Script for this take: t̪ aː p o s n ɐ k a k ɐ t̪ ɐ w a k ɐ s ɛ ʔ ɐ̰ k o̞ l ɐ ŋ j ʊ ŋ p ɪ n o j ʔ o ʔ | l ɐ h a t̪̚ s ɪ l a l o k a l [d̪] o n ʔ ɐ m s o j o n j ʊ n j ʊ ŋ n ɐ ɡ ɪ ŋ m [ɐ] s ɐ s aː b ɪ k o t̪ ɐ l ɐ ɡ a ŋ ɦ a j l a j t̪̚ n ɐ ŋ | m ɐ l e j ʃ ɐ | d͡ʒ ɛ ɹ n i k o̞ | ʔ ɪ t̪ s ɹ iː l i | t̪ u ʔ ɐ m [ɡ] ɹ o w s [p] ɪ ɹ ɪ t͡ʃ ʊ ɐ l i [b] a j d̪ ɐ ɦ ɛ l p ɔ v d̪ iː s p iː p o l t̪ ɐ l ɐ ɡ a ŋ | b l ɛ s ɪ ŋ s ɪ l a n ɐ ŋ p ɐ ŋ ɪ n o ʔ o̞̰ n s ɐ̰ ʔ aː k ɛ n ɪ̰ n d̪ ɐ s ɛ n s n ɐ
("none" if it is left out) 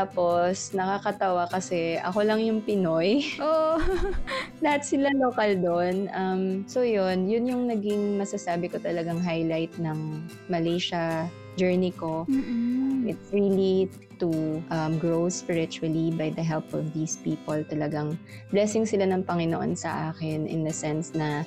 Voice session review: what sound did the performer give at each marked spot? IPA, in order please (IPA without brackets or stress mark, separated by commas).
d̪, ɐ, ɡ, p, b